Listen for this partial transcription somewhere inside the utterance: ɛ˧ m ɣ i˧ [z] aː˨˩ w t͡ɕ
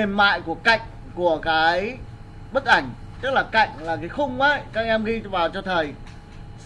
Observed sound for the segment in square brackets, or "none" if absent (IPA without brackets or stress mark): v